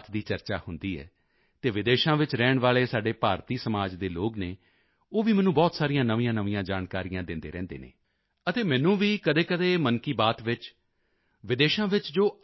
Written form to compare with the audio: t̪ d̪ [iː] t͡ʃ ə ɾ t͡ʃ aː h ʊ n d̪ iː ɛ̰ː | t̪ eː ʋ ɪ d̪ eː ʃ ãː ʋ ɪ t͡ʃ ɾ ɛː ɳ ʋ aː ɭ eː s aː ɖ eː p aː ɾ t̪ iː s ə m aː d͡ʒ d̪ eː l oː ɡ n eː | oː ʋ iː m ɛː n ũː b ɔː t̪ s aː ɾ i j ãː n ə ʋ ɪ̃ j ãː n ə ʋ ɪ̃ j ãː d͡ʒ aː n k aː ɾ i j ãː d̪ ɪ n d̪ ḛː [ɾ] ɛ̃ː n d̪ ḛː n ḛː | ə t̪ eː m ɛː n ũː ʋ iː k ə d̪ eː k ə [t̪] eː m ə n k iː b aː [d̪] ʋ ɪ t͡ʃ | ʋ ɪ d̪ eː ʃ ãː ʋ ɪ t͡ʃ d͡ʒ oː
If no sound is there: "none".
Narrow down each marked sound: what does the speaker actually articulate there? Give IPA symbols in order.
iː, ɾ, d̪, t̪

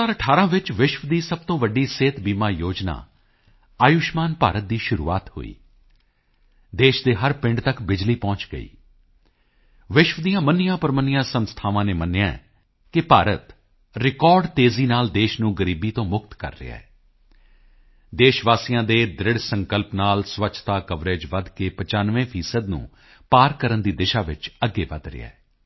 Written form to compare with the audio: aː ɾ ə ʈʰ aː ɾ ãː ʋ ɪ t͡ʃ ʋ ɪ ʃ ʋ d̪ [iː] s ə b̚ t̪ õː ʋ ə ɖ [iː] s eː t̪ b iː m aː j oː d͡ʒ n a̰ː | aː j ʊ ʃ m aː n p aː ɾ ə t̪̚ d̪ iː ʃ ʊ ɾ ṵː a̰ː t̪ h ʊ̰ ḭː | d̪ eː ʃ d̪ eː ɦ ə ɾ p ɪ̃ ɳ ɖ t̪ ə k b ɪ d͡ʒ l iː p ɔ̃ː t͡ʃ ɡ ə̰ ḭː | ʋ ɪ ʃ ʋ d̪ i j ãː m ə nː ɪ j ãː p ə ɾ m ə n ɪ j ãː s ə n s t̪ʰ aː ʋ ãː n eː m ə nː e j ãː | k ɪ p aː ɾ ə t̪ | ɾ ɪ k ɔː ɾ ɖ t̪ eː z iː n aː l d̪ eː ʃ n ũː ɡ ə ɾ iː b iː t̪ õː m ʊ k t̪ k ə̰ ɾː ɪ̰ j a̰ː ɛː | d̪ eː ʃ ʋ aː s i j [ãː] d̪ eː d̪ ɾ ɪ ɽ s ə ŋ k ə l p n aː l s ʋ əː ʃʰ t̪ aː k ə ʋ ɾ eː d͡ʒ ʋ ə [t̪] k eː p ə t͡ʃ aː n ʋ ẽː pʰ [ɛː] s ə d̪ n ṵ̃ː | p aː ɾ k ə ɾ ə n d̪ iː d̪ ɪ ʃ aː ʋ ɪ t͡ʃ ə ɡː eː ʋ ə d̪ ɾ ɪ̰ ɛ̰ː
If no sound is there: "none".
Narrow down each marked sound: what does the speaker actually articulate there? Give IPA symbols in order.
iː, iː, ãː, d̪, iː

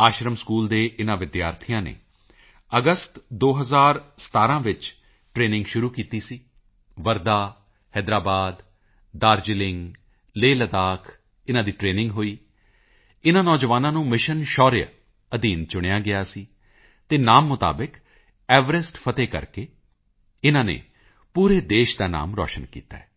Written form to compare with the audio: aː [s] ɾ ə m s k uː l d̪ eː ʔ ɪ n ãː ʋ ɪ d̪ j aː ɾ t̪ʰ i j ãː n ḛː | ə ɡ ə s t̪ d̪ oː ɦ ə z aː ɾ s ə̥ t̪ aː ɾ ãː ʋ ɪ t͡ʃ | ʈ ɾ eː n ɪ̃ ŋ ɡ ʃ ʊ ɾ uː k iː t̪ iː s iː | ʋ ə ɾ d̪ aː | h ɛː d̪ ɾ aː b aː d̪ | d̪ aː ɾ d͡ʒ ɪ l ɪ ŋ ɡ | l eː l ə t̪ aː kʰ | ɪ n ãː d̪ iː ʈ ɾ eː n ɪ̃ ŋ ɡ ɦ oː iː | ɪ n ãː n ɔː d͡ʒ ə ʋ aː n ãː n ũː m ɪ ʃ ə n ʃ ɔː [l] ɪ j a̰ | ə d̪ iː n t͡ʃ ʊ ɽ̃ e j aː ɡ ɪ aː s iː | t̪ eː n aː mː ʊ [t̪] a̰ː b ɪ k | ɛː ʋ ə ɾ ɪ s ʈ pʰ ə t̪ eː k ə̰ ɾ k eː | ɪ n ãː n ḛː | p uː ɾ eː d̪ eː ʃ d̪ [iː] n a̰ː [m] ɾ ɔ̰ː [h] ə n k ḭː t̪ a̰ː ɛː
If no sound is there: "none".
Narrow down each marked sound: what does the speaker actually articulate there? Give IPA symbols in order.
ʃ, ɾ, t̪, aː, m, ʃ

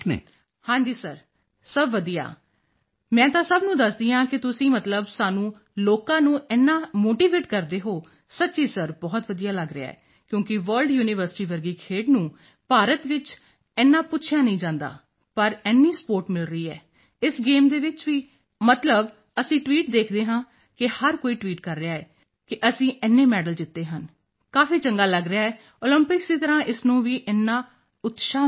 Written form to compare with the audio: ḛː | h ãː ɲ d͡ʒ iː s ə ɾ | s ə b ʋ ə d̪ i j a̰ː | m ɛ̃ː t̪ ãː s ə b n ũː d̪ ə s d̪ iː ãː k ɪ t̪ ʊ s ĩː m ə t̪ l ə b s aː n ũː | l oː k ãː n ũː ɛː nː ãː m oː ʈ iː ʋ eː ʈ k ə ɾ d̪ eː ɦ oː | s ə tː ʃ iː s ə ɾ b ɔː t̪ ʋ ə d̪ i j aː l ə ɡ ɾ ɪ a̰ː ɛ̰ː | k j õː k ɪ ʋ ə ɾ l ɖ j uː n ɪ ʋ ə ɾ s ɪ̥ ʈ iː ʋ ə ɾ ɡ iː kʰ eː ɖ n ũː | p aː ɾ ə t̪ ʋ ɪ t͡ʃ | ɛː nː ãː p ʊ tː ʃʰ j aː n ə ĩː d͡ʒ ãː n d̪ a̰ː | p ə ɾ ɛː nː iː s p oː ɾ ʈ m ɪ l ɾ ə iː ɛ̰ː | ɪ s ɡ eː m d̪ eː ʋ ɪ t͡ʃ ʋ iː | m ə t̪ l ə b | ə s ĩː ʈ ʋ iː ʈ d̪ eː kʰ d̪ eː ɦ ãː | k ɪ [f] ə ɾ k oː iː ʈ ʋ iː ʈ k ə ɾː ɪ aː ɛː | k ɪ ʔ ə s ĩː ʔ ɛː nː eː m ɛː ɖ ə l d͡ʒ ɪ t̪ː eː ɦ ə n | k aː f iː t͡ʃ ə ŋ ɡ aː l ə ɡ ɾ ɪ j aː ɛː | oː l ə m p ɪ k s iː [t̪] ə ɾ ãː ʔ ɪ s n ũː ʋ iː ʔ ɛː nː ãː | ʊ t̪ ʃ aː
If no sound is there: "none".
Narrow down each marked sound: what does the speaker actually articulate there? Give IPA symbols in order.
h, t̪

